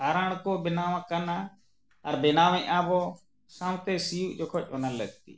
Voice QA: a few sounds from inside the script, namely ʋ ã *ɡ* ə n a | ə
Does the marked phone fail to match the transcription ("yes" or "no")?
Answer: yes